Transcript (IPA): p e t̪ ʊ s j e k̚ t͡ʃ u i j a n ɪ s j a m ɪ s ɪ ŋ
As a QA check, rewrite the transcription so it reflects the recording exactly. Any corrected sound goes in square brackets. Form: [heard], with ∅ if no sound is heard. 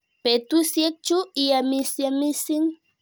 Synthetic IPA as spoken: p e t̪ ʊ s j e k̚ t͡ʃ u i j a [m] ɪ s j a m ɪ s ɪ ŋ